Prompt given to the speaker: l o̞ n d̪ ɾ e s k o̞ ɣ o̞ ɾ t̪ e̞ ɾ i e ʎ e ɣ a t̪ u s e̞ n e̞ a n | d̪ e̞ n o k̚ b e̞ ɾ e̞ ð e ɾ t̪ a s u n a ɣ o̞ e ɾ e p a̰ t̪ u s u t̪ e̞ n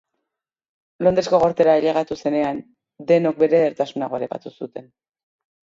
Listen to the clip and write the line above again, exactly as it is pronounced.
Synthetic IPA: l o̞ n d̪ ɾ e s k o̞ ɣ o̞ ɾ t̪ e̞ ɾ a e ʎ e ɣ a t̪ u s e̞ n e̞ a n | d̪ e̞ n o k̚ b e̞ ɾ e̞ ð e ɾ t̪ a s u n a ɣ o̞ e ɾ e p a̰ t̪ u s u t̪ e̞ n